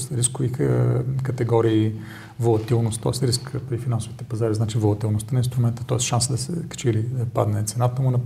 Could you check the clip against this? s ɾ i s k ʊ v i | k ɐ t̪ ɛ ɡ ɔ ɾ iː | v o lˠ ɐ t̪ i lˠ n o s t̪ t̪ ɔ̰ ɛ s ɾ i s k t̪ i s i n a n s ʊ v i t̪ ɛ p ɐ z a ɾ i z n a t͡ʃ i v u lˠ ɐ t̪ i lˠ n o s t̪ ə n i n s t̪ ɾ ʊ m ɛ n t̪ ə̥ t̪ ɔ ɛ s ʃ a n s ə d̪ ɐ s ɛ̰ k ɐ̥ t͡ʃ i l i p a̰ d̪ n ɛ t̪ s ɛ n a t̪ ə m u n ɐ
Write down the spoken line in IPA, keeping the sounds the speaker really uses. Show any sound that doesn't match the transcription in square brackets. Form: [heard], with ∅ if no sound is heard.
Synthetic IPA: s ɾ i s k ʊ v i | k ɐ t̪ ɛ ɡ ɔ ɾ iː | v o lˠ ɐ t̪ i lˠ n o s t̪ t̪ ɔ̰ ɛ s ɾ i s k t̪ i [f] i n a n s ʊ v i t̪ ɛ p ɐ z a ɾ i z n a t͡ʃ i v [o] lˠ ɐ t̪ i lˠ n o s t̪ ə n i n s t̪ ɾ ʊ m ɛ n t̪ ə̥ t̪ ɔ ɛ s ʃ a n s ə d̪ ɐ s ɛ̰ k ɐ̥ t͡ʃ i l i p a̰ d̪ n ɛ t̪ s ɛ n a t̪ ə m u n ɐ